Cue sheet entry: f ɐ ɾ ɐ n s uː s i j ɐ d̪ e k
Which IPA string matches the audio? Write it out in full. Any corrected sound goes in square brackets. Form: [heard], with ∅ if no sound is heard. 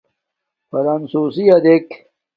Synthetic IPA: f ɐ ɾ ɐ n s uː s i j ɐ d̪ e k